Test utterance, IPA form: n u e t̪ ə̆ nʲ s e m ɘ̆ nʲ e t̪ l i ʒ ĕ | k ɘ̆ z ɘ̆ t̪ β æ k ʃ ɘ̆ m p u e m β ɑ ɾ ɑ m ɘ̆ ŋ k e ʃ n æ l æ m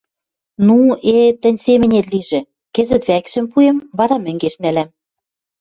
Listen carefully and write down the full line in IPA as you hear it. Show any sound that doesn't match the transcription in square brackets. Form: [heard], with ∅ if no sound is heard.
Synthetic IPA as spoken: n u e t̪ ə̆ nʲ s e m ɘ̆ nʲ e t̪ l i ʒ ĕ | k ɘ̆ z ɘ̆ t̪ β æ k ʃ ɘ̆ m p u e m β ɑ ɾ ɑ m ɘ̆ ŋ [ɡ] e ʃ n æ l æ m